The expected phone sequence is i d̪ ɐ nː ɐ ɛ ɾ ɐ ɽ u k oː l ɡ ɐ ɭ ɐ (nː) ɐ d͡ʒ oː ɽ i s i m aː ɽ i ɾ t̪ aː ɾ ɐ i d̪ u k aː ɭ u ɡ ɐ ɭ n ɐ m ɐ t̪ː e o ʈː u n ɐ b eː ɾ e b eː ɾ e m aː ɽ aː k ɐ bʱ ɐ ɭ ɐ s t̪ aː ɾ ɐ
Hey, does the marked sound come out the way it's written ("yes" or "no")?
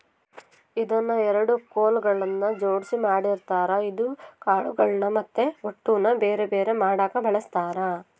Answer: yes